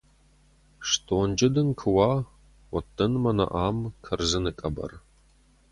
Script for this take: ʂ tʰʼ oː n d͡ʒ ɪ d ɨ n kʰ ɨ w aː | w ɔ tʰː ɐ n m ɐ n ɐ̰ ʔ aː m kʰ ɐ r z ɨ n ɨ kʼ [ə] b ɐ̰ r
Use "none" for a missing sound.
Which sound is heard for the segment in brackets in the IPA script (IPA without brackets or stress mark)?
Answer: ɐ